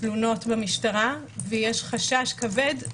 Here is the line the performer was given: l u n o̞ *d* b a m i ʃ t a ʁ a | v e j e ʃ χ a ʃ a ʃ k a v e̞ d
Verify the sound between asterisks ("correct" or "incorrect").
incorrect